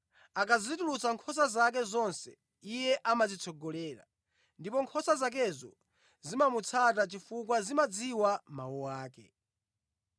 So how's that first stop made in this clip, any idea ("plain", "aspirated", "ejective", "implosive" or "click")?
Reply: plain